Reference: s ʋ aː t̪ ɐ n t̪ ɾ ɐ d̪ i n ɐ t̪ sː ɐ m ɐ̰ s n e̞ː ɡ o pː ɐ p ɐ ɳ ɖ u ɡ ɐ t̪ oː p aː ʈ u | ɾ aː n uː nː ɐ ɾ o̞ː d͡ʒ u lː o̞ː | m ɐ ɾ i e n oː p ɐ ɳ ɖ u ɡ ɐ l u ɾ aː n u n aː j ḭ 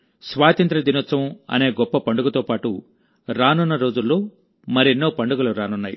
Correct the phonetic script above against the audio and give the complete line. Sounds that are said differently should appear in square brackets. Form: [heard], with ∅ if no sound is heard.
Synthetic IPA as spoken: s ʋ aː t̪ ɐ n t̪ ɾ ɐ d̪ i n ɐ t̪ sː ɐ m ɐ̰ [∅] n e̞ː ɡ [ɔ] pː ɐ p ɐ ɳ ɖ u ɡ ɐ t̪ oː p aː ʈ u | ɾ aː n [u] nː ɐ ɾ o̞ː d͡ʒ u lː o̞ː | m ɐ ɾ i e [nː] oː p ɐ ɳ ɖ u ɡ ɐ l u ɾ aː n u [nː] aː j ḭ